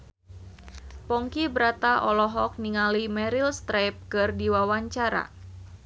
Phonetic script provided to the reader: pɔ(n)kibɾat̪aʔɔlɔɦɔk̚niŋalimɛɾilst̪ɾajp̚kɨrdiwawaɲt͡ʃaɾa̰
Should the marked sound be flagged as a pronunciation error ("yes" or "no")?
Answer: yes